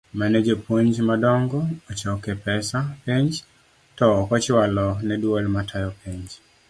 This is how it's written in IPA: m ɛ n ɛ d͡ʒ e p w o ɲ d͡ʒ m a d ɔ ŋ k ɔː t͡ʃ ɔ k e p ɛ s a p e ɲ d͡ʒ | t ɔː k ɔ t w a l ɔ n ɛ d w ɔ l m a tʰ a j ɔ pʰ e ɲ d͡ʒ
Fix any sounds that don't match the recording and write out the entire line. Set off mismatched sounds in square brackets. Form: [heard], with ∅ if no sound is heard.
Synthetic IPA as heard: m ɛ n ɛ d͡ʒ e p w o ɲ d͡ʒ m a d ɔ ŋ [ɡ] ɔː t͡ʃ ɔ k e p ɛ s a p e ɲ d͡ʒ | t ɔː k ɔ [t͡ʃ] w a l ɔ n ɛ d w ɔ l m a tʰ a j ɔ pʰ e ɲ d͡ʒ